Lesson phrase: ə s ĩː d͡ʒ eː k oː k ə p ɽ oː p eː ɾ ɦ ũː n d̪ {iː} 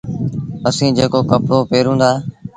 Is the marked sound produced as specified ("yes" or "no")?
no